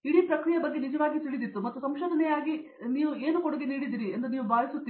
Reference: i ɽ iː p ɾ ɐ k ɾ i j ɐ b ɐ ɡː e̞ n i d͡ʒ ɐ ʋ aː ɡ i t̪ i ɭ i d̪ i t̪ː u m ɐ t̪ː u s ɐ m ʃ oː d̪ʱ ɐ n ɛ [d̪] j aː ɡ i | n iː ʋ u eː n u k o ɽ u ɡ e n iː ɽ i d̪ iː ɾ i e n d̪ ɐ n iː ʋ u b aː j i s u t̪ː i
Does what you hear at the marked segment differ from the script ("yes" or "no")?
yes